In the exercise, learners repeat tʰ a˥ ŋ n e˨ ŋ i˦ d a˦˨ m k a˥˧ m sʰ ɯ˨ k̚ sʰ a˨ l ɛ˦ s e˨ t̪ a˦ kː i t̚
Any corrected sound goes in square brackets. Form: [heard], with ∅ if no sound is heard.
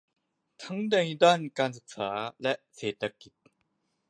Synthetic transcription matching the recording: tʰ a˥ ŋ [d] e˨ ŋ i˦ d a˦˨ [n] k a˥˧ [n] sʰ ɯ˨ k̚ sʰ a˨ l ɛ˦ s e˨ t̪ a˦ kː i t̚